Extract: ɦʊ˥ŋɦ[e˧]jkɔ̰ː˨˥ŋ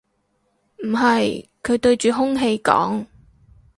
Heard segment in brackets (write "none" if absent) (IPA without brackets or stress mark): e˧